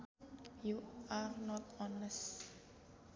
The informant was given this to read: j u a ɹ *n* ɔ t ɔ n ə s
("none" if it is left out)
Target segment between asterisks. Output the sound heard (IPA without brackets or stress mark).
n